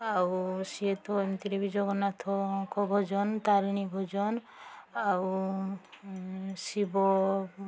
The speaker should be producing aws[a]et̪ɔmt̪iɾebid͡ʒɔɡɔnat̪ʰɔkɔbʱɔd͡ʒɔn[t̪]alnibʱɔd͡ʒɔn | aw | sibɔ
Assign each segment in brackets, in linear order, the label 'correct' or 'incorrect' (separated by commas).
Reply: incorrect, correct